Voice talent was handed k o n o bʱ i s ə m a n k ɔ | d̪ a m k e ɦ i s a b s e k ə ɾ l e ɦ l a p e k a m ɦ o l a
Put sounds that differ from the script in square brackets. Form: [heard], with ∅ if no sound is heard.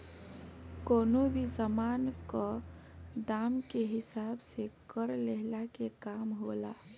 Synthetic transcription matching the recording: k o n o bʱ i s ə m a n k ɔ | d̪ a m k e ɦ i s a b s e k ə ɾ l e ɦ l a [k] e k a m ɦ o l a